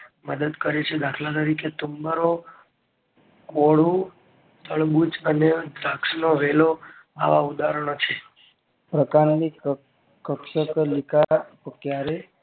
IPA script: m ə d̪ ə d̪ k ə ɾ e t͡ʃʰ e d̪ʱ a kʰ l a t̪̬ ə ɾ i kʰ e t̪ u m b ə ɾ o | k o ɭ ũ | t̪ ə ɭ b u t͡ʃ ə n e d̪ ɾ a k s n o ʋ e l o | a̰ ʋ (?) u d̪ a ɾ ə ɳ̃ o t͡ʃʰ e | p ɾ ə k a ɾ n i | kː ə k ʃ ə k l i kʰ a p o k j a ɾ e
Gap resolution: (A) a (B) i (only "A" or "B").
A